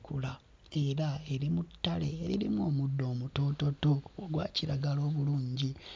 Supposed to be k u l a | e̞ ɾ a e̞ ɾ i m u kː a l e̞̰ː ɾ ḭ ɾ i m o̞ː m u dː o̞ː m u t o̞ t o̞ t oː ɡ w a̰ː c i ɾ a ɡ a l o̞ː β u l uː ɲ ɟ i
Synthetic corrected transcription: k u l a | e̞ ɾ a e̞ ɾ i m u tː a l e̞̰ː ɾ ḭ ɾ i m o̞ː m u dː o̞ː m u t o̞ t o̞ t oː ɡ w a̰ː c i ɾ a ɡ a l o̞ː β u l uː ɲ ɟ i